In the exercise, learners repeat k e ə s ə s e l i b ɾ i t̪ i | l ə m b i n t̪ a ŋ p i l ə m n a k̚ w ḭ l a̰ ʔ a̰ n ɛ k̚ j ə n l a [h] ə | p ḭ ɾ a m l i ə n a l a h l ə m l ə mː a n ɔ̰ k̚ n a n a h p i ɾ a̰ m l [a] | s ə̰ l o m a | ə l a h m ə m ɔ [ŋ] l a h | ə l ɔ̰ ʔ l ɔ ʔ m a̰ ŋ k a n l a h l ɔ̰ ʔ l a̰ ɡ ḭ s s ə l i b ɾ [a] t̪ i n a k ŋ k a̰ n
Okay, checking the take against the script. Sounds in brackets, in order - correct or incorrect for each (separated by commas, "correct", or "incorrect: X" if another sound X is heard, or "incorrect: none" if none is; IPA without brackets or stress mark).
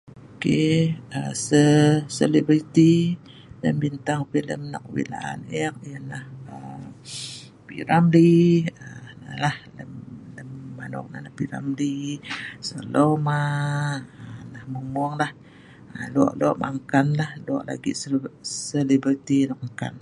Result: correct, incorrect: i, correct, incorrect: i